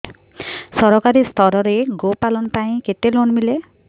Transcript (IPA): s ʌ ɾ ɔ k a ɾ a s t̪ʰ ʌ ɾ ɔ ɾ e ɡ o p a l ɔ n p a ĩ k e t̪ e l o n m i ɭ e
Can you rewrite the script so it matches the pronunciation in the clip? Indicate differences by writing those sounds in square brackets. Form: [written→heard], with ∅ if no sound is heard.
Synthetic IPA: s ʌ ɾ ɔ k a ɾ [a→i] s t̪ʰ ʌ ɾ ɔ ɾ e ɡ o p a l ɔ n p a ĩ k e t̪ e l o n m i [ɭ→l] e